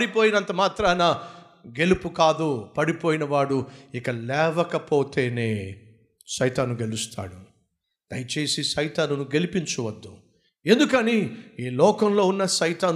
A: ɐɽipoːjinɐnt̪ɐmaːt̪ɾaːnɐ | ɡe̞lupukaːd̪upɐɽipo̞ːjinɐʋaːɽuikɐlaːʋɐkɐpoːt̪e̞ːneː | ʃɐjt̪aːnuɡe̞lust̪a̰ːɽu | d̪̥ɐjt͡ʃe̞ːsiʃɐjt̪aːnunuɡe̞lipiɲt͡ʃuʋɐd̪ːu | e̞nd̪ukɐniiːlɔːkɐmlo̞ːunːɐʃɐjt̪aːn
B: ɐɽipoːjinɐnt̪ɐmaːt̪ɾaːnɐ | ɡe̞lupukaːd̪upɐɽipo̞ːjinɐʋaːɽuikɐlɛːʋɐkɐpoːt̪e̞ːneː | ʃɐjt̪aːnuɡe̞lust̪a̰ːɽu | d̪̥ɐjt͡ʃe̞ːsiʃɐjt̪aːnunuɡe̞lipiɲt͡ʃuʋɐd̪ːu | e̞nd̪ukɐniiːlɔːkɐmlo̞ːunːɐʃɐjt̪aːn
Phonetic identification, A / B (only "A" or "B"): B